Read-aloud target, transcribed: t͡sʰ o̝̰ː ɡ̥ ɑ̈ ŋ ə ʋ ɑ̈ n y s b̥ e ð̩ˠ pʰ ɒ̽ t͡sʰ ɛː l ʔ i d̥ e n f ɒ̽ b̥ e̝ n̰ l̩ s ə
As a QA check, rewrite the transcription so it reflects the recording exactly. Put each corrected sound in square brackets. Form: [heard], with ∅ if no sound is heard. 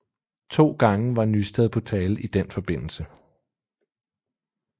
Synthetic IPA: t͡sʰ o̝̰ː ɡ̥ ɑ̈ ŋ ə ʋ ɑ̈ n y s [d̥] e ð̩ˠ pʰ ɒ̽ t͡sʰ ɛː l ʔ i d̥ e n f ɒ̽ b̥ e̝ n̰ l̩ s ə